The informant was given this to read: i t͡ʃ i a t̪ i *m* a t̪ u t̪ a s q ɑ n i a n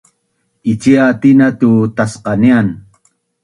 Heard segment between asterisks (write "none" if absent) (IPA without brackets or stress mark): n